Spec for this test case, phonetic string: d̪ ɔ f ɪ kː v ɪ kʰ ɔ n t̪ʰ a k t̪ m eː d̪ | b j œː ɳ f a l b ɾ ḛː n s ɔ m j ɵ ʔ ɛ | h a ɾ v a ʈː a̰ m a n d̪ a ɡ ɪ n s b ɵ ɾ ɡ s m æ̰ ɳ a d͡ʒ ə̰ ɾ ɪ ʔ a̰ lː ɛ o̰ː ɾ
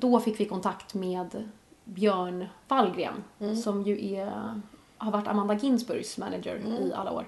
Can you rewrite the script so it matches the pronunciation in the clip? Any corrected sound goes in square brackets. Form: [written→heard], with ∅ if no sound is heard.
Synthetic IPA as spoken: d̪ ɔ f ɪ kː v ɪ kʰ ɔ n t̪ʰ a k t̪ m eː d̪ | b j œː ɳ [f→v] a l [b→ɡ] ɾ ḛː n s ɔ m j ɵ ʔ ɛ | h a ɾ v a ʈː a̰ m a n d̪ a ɡ ɪ n s b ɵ ɾ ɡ s m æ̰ [ɳ→n] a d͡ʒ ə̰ ɾ ɪ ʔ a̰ lː [ɛ→a] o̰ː ɾ